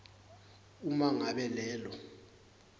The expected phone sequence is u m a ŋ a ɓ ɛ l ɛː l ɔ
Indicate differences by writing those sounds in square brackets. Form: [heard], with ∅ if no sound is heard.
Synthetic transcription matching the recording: u m a ŋ a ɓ ɛ l ɛː l ɔ